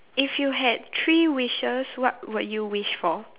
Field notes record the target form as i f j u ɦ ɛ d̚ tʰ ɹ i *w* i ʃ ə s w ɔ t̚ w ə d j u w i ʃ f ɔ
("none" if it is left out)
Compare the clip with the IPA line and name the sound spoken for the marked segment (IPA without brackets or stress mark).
w